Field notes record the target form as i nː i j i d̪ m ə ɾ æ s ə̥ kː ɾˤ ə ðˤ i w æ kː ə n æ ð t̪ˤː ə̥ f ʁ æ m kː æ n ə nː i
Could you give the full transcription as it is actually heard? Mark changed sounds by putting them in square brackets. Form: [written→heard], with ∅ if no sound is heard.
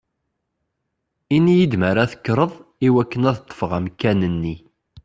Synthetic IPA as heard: i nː i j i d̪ m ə ɾ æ [s→θ] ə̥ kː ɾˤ ə ðˤ i w æ kː ə n æ ð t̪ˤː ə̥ f ʁ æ m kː æ n ə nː i